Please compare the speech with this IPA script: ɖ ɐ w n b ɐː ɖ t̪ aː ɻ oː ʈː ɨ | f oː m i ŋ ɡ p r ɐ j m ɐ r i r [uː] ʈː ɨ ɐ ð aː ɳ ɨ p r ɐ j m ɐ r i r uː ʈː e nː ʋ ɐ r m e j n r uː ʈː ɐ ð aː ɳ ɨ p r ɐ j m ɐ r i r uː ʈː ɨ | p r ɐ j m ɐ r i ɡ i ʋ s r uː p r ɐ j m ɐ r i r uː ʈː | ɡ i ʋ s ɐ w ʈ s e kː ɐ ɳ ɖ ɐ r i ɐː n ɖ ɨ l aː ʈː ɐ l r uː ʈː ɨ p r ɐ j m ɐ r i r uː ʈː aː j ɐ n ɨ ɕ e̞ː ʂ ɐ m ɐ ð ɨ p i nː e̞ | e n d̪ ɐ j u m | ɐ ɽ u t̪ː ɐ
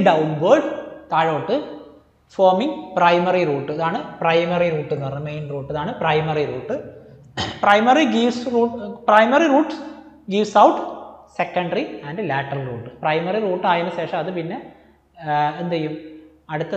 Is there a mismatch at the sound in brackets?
no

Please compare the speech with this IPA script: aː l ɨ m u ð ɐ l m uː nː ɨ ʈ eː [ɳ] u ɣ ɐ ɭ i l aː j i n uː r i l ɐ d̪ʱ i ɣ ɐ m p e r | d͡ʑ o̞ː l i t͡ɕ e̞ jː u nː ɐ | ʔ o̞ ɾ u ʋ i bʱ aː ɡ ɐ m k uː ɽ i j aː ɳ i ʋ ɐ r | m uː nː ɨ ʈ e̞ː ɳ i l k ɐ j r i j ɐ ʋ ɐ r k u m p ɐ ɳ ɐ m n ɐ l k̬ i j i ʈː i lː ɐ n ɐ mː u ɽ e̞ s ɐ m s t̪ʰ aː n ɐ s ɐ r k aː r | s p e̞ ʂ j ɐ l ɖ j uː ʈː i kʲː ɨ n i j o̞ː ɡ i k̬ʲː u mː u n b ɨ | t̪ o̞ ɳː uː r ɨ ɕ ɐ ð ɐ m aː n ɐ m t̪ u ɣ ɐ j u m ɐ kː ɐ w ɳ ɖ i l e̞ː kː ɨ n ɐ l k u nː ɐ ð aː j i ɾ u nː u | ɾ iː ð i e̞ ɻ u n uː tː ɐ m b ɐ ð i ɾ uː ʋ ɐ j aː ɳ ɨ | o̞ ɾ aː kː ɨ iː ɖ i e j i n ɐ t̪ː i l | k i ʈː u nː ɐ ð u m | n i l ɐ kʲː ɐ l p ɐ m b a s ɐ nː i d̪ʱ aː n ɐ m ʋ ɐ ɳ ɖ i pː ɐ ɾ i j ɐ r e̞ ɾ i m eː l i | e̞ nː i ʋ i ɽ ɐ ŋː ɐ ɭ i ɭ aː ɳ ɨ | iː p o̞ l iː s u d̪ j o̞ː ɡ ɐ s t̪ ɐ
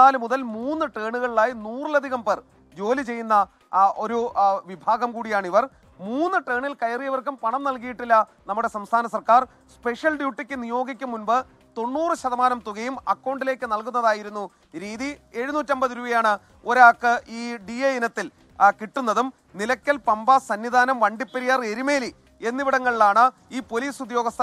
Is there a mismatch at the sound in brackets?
no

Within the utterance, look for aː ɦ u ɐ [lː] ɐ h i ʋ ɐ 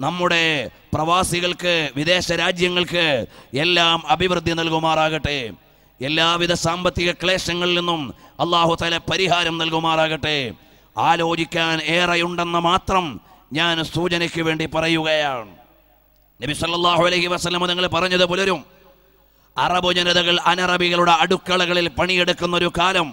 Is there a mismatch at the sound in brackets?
yes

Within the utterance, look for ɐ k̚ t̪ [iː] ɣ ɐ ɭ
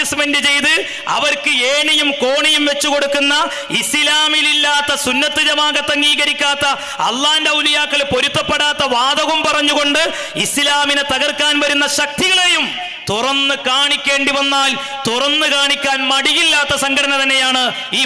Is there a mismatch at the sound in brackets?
yes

